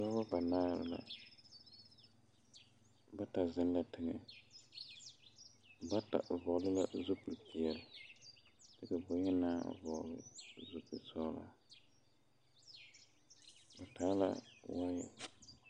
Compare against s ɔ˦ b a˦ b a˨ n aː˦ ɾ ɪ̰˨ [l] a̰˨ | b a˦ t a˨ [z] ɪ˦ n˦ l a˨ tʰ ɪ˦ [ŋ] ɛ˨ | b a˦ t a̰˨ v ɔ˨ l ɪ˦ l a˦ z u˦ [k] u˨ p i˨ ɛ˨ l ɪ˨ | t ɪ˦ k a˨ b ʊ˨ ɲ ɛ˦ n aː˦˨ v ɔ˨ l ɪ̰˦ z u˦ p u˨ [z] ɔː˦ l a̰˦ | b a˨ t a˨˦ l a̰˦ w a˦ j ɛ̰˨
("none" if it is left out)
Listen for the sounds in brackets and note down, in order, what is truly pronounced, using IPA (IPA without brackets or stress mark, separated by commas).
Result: l, z, ŋ, p, s